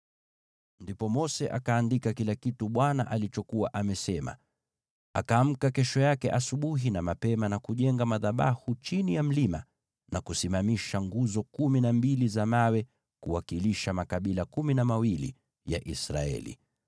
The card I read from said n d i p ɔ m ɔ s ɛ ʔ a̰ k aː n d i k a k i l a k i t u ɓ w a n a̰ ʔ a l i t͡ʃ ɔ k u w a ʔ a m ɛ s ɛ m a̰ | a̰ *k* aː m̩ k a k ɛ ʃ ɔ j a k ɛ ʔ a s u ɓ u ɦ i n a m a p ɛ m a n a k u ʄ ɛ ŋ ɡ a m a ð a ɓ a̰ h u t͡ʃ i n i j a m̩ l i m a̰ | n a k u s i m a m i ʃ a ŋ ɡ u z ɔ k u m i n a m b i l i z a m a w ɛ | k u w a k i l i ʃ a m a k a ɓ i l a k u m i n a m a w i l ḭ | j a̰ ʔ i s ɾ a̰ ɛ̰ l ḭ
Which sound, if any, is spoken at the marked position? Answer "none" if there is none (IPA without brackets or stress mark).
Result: k